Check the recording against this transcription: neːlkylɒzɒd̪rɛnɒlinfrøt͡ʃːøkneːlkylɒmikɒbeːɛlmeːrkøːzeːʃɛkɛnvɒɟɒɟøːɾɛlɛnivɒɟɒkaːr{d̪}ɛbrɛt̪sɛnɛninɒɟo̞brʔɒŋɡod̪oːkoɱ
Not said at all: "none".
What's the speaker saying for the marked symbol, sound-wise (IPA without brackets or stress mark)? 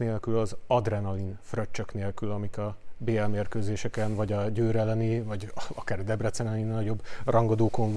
d̪